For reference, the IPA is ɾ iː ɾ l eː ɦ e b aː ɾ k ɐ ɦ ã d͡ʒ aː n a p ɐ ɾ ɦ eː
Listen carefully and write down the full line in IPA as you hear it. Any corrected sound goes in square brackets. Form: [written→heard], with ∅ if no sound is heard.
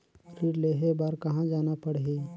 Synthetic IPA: ɾ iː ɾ l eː ɦ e b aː ɾ k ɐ ɦ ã d͡ʒ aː n a p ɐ [ɾ→ɽ] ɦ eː